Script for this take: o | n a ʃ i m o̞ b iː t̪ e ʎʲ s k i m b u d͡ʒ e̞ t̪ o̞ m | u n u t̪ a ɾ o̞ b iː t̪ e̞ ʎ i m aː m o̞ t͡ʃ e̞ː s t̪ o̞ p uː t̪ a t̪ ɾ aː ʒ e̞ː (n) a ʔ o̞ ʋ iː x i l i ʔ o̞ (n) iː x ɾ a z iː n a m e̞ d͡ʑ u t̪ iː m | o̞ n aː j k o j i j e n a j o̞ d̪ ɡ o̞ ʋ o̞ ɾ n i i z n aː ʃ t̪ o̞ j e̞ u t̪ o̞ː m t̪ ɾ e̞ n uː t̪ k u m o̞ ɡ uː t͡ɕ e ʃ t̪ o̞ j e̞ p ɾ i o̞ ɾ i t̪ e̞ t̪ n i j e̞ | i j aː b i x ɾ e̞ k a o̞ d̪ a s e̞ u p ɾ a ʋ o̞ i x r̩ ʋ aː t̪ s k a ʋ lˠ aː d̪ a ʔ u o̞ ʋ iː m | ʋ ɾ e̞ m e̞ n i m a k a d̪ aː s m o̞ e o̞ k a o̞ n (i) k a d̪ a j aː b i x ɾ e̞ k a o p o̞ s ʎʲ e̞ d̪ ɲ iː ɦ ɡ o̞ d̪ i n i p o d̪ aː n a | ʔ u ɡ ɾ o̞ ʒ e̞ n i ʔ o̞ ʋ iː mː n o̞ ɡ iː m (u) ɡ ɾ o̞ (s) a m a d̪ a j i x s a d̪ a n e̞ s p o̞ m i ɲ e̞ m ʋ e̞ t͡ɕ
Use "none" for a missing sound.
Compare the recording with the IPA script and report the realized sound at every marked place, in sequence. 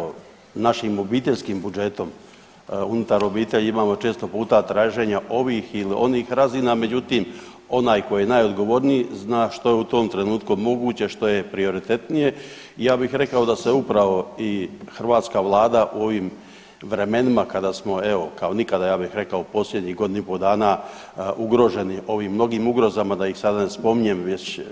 ɲ, n, i, u, z

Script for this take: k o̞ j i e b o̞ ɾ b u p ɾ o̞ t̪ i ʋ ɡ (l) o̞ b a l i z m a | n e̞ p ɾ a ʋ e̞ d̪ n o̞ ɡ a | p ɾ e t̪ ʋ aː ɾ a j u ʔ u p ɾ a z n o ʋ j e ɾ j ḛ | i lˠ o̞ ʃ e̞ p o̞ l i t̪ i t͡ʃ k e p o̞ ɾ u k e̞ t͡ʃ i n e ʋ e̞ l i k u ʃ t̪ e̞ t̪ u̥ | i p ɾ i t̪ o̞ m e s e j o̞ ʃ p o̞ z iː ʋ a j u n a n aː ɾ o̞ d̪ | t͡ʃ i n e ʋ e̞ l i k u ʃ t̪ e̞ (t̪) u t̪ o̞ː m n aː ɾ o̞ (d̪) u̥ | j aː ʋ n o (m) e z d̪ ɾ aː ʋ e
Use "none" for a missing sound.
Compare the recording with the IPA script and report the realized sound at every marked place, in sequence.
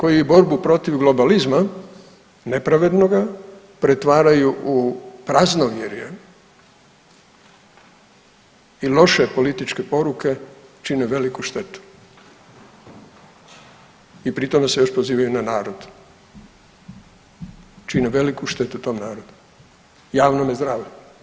l, t̪, d̪, m

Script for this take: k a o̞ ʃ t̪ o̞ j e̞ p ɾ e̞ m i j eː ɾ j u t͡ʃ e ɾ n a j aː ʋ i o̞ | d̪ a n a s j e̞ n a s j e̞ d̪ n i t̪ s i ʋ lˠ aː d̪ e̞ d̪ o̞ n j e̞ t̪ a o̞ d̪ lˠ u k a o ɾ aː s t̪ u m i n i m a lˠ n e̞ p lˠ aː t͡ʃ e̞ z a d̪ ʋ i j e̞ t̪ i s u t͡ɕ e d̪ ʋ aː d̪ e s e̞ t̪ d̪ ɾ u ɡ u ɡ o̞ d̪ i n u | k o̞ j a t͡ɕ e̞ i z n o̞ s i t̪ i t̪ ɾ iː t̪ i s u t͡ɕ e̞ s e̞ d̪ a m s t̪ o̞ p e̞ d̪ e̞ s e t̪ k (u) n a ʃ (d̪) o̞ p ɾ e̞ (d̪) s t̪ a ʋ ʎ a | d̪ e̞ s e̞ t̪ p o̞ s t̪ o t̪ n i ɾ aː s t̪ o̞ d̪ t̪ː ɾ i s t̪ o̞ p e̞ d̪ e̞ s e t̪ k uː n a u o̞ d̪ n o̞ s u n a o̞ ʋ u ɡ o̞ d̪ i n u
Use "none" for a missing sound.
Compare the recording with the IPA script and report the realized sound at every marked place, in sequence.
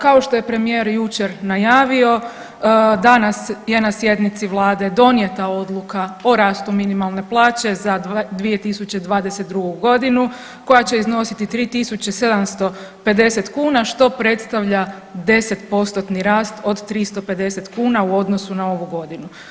uː, t̪, t̪

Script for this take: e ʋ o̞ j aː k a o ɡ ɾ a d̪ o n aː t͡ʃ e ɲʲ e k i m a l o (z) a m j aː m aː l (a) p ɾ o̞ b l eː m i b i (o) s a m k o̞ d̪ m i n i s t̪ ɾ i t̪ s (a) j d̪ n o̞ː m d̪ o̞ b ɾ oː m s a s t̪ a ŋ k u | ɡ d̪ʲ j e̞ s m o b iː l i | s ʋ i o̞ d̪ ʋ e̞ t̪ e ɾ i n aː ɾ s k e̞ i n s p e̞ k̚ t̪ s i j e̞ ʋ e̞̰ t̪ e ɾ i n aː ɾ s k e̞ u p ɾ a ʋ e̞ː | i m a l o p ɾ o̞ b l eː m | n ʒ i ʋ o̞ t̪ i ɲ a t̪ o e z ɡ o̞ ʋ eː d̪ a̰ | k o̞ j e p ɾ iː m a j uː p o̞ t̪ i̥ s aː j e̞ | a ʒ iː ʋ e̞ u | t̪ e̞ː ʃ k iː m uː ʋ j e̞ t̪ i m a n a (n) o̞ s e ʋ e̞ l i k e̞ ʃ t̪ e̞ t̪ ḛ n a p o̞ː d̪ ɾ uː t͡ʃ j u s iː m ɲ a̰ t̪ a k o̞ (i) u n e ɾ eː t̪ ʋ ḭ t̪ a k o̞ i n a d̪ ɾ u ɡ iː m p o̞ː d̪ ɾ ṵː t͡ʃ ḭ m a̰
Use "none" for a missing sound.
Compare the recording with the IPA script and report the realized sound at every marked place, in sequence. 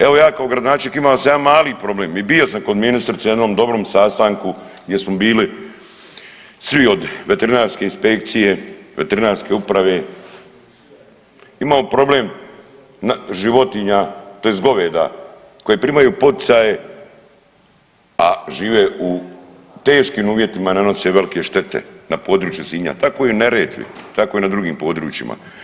s, i, o, e, n, i

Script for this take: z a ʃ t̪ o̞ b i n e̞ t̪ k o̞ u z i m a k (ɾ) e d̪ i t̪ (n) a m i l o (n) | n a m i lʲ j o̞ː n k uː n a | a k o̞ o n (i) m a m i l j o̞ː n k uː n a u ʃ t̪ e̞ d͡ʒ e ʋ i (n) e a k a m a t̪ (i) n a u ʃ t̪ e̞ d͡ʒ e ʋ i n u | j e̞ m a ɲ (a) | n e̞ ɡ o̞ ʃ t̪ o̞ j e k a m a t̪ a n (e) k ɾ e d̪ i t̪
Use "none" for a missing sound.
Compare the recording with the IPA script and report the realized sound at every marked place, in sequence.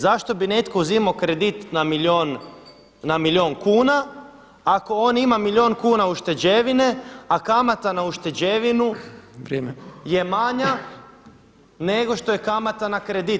ɾ, n, n, i, n, a, a, a

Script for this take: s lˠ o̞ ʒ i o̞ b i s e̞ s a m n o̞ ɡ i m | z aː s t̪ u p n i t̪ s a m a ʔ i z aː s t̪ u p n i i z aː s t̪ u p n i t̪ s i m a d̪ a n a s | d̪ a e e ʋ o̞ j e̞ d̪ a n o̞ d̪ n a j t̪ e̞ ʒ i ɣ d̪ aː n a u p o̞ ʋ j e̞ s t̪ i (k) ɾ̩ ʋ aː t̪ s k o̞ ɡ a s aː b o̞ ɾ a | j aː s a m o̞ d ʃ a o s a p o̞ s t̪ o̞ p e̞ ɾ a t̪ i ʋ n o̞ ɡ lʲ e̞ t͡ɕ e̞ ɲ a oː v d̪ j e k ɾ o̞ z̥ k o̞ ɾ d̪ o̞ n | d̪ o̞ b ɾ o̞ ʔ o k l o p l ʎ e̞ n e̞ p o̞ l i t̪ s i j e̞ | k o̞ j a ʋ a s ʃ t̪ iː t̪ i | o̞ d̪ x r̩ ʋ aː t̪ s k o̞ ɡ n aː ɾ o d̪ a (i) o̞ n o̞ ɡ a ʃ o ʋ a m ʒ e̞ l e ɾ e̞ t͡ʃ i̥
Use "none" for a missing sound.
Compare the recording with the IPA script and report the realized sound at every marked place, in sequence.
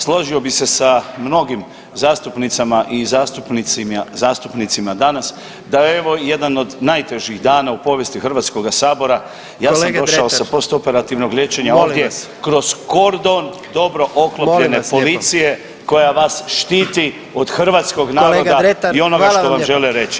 x, i

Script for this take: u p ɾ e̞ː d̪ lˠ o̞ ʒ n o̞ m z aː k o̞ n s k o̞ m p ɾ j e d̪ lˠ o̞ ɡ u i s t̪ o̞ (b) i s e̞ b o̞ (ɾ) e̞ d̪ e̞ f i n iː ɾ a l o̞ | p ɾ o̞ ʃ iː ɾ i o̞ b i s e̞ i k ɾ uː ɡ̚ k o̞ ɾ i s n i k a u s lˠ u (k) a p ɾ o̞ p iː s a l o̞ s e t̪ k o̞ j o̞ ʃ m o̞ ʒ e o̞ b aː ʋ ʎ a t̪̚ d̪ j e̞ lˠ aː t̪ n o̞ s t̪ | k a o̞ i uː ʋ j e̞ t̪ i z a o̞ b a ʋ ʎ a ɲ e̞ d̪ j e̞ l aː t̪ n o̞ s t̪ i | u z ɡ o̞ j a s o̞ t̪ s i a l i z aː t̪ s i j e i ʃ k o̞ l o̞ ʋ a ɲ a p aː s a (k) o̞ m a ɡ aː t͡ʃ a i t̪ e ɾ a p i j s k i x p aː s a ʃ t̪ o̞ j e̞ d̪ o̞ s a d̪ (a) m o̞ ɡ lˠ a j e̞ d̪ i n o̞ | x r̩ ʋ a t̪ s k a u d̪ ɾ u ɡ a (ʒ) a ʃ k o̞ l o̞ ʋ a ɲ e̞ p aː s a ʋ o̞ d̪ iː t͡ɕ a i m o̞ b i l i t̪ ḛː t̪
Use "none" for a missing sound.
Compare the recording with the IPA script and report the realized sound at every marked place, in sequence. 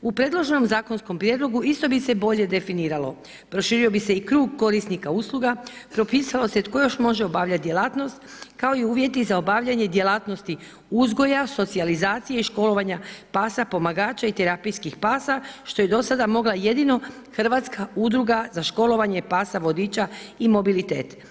b, ʎ, ɡ, p, a, z

